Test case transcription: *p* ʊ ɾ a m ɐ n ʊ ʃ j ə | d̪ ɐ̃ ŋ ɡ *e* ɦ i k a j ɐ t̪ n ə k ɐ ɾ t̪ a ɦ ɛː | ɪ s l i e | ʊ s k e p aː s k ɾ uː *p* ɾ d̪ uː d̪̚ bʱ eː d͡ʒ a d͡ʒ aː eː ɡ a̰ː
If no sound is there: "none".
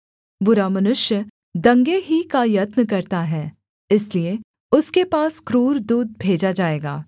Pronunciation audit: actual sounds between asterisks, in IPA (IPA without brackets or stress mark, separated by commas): b, e, none